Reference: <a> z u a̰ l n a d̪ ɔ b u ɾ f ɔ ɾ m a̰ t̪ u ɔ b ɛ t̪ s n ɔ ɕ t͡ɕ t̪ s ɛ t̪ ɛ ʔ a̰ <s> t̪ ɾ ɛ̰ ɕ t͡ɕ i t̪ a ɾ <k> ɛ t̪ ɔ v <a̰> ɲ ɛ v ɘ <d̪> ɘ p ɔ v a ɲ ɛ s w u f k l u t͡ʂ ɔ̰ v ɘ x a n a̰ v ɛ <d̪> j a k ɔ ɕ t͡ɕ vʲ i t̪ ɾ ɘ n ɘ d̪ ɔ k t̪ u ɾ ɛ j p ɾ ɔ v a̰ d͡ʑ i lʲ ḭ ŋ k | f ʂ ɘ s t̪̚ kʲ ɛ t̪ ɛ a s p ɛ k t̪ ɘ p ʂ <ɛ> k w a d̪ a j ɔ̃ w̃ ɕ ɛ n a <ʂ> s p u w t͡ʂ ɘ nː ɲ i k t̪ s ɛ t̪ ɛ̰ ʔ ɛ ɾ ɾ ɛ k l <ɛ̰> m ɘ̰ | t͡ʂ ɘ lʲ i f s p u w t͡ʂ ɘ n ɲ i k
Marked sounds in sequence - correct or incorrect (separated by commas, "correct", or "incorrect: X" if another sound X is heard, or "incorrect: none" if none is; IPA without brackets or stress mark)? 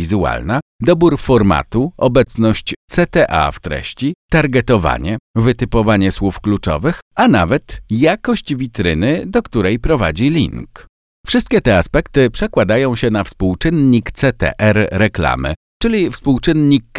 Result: incorrect: i, incorrect: f, incorrect: ɡ, correct, incorrect: t̪, incorrect: t̪, correct, incorrect: f, incorrect: a̰